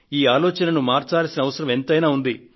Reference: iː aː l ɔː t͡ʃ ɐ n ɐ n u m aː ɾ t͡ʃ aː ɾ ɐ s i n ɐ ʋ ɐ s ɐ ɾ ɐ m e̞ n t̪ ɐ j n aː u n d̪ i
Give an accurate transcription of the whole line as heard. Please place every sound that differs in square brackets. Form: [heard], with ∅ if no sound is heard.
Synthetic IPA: iː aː l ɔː t͡ʃ ɐ n ɐ n u m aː ɾ t͡ʃ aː [l] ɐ s i n ɐ ʋ ɐ s ɐ ɾ ɐ m e̞ n t̪ ɐ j n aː u n d̪ i